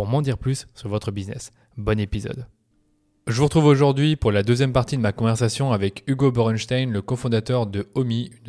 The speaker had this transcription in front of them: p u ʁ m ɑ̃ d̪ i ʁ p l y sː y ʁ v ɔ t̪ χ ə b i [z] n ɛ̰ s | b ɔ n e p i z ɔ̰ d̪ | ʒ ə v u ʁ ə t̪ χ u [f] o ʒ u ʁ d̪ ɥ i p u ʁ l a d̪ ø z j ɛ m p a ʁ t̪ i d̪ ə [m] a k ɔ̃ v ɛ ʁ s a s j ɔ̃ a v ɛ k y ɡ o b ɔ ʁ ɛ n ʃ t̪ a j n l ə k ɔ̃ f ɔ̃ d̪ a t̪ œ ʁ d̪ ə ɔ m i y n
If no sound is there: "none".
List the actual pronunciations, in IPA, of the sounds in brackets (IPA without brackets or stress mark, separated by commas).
z, v, m